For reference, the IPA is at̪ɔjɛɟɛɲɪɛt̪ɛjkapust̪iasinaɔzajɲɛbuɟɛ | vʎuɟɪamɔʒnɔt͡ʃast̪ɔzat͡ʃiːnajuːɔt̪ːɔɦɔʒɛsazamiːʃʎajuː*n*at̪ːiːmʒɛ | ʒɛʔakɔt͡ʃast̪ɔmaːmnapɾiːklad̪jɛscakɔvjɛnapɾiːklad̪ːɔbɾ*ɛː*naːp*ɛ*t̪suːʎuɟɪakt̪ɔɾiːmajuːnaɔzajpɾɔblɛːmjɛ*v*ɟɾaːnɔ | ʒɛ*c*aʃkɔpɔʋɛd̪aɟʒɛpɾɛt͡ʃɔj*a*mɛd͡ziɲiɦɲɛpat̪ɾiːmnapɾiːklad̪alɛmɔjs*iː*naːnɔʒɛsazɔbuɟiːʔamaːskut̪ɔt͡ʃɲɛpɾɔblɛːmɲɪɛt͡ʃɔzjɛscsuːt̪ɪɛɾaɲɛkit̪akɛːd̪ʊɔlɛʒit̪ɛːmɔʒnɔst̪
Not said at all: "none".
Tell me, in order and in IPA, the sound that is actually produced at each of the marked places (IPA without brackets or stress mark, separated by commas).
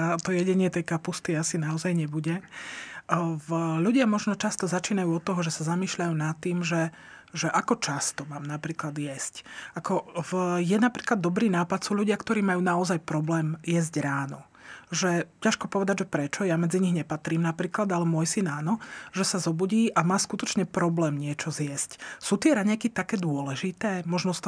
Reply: n, iː, a, z, c, a, i